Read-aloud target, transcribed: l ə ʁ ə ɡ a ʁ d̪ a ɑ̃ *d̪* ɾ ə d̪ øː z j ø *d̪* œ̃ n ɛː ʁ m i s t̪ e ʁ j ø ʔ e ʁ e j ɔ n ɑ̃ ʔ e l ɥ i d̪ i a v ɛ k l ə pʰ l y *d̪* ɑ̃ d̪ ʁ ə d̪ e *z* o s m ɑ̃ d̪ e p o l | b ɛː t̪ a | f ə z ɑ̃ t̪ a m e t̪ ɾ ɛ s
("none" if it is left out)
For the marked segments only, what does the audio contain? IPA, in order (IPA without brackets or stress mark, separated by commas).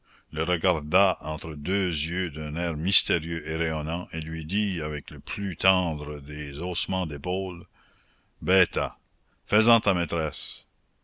t̪, d̪, t̪, z